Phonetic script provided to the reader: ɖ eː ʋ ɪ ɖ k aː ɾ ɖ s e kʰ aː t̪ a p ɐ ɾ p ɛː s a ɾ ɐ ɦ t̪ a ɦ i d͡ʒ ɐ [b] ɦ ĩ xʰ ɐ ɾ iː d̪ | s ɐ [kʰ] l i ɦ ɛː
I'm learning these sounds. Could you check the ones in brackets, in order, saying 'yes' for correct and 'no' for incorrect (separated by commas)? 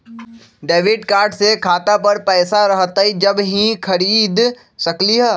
yes, no